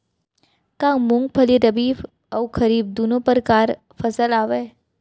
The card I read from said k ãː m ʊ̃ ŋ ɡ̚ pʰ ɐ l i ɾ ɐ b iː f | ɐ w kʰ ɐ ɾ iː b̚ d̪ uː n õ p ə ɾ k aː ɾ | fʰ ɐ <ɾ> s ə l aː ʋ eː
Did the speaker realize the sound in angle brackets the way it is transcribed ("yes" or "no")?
no